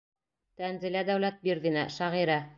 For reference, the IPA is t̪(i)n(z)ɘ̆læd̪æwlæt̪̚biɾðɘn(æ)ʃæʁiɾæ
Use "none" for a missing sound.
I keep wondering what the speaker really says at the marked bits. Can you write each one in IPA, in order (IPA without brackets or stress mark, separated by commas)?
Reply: æ, z, æ